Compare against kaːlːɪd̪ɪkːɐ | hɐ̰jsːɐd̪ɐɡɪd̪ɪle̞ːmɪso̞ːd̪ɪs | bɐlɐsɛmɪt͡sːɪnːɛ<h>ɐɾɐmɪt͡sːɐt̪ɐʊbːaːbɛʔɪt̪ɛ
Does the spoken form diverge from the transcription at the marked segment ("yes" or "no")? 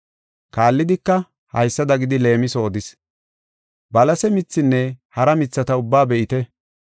no